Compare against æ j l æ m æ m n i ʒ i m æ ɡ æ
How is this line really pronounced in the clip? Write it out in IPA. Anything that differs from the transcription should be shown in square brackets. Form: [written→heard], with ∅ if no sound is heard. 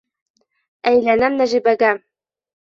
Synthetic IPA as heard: æ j l æ [m→n] æ m n [i→æ] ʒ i [m→b] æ ɡ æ